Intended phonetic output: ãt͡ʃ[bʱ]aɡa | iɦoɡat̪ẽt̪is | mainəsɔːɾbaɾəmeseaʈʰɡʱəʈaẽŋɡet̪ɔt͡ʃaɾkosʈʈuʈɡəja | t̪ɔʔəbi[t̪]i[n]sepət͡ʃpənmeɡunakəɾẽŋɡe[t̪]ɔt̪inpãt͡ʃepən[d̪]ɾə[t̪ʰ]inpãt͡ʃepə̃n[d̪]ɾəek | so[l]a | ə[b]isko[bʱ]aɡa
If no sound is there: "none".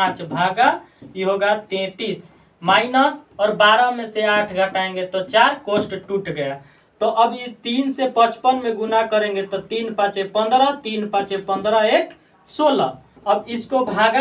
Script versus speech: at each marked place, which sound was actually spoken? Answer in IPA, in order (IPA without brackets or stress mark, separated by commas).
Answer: bʱ, t̪, n, t̪, d̪, t̪, d̪, l, b, bʱ